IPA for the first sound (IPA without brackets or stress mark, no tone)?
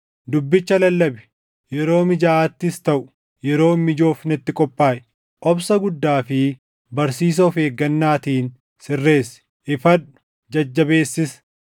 d̪